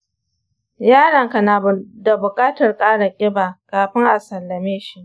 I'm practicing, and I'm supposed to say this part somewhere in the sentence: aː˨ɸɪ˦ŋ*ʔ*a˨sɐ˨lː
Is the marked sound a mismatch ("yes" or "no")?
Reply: no